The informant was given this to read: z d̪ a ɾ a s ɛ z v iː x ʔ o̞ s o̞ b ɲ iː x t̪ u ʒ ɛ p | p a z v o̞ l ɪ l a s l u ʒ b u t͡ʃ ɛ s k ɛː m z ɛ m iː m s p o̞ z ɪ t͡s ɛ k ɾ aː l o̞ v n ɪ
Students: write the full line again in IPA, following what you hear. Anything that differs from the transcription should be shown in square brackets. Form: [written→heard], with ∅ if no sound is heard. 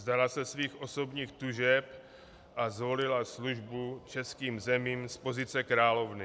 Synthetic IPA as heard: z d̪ a [ɾ→l] a s ɛ [z→s] v iː x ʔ o̞ s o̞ b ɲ iː x t̪ u ʒ ɛ p | [p→ʔ] a z v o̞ l ɪ l a s l u ʒ b u t͡ʃ ɛ s k [ɛː→iː] m z ɛ m iː m s p o̞ z ɪ t͡s ɛ k ɾ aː l o̞ v n ɪ